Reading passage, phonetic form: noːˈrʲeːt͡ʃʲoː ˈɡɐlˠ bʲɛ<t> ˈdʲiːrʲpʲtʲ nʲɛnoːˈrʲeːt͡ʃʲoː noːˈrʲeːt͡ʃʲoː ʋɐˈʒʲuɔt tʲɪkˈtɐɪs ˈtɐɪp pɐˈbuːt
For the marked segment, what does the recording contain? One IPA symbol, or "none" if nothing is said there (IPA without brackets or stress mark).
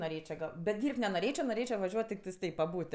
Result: t